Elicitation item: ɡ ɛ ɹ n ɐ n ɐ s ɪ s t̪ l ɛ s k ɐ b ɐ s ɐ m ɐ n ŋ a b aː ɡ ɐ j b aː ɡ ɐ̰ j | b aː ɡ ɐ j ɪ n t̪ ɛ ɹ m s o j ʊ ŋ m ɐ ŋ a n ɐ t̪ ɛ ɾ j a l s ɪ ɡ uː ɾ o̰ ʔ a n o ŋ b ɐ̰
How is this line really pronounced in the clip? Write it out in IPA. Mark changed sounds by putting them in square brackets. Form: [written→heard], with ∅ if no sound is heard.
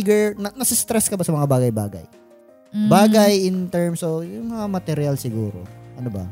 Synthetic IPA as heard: ɡ ɛ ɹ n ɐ n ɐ s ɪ s t̪ [l→ɾ] ɛ s k ɐ b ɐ s ɐ m ɐ [n→∅] ŋ a b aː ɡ ɐ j b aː ɡ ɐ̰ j | b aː ɡ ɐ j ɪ n t̪ ɛ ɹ m s o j ʊ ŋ m ɐ ŋ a [n→m] ɐ t̪ ɛ ɾ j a l s ɪ ɡ uː ɾ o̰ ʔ [a→ɐ] n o [ŋ→∅] b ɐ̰